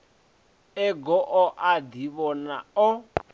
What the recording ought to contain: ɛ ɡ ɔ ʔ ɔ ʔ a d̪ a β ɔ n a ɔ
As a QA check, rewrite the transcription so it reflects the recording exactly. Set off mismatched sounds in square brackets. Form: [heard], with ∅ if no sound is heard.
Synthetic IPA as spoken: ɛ ɡ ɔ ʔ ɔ ʔ a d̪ [i] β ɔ n a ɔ

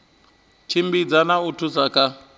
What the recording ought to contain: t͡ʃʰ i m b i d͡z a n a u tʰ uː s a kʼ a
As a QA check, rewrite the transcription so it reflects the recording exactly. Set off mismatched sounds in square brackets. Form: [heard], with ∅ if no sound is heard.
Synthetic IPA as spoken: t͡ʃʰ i m b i d͡z a n a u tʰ [u] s a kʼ a

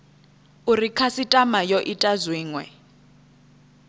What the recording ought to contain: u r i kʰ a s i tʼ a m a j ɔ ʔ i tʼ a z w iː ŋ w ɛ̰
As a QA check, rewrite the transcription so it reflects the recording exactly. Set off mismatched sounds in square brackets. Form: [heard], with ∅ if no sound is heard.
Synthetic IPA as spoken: u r i kʰ a s i tʼ a m a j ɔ ʔ i tʼ a z w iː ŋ w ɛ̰

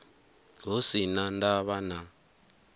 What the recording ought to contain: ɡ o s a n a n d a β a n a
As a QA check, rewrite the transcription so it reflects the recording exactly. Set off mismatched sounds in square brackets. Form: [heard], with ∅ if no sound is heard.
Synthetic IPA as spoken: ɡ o s [i] n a n d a β a n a

